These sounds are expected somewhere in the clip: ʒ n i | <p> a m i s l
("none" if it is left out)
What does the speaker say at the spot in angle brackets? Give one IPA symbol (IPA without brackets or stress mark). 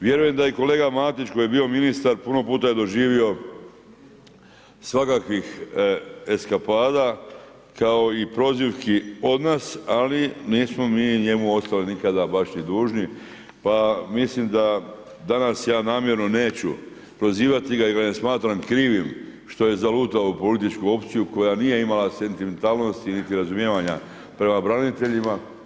p